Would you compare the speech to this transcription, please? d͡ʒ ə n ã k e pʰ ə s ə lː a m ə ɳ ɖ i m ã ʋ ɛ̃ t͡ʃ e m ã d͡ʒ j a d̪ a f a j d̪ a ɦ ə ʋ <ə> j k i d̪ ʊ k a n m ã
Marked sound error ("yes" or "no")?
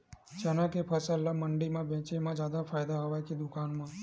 yes